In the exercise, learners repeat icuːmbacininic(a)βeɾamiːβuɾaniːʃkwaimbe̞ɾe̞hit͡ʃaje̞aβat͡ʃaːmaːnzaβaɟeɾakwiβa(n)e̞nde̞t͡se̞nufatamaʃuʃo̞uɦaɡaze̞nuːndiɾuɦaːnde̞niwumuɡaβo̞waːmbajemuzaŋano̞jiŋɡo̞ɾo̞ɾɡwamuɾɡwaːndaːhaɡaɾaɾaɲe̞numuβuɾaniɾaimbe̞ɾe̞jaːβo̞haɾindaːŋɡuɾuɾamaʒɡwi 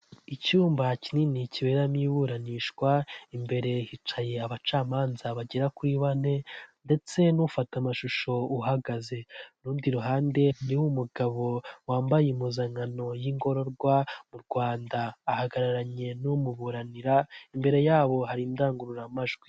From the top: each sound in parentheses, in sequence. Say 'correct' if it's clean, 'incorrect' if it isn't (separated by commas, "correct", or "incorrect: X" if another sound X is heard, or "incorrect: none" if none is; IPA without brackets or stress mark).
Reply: incorrect: i, correct